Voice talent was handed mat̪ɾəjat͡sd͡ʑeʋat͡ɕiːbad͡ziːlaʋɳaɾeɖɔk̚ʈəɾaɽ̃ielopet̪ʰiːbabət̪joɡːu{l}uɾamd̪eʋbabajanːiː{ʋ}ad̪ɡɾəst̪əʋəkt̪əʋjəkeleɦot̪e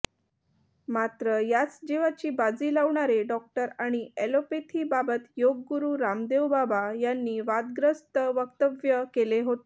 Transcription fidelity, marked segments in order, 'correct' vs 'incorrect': incorrect: ɾ, correct

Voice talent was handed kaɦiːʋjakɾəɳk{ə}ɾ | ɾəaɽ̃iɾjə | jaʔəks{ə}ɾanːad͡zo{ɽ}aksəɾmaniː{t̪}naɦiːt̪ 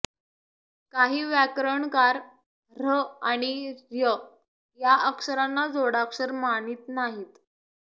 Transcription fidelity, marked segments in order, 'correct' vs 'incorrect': incorrect: a, correct, correct, correct

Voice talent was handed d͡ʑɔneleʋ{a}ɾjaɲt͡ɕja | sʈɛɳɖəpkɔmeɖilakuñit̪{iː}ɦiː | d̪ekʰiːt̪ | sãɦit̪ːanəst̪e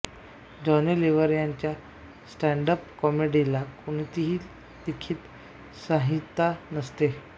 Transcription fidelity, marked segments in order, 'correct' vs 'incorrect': incorrect: ə, incorrect: i

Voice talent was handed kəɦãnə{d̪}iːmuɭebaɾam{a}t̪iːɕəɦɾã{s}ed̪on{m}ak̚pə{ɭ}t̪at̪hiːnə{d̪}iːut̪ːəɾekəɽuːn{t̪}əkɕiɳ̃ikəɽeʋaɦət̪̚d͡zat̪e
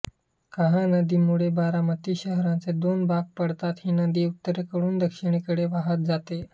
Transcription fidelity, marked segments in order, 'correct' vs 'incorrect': correct, incorrect: ə, incorrect: t͡s, incorrect: b, incorrect: ɽ, correct, incorrect: d̪

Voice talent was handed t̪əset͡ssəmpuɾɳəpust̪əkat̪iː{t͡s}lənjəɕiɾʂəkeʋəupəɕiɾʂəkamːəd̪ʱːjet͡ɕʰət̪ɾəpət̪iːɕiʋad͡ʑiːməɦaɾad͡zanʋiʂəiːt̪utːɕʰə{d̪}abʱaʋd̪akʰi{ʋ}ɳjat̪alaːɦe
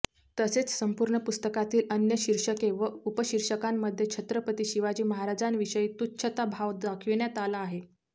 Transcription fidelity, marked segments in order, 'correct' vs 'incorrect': incorrect: none, incorrect: t̪, correct

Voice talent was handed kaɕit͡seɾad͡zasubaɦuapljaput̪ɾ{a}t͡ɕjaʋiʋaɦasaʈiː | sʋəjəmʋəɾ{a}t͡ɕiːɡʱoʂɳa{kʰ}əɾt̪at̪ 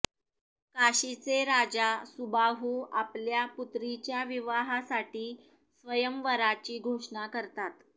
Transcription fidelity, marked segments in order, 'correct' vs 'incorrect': incorrect: i, correct, incorrect: k

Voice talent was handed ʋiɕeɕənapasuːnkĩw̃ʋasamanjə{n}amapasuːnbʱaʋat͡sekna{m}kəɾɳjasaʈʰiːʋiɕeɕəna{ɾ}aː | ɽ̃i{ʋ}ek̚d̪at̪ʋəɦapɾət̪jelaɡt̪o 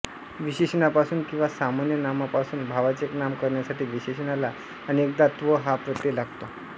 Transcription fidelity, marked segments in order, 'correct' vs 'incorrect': correct, correct, incorrect: l, incorrect: none

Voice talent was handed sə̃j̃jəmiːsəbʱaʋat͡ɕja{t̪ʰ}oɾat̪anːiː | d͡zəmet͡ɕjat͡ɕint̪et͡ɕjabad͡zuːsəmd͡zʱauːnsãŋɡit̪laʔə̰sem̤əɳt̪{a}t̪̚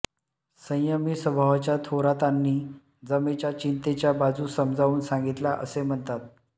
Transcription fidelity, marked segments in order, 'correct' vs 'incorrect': correct, correct

